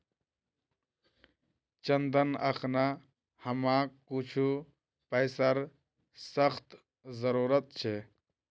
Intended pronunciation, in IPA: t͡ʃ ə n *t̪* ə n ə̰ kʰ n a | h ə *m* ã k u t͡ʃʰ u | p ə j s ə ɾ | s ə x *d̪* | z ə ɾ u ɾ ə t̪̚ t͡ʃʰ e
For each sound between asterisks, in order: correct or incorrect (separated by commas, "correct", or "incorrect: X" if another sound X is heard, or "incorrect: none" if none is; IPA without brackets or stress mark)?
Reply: incorrect: d̪, correct, incorrect: t̪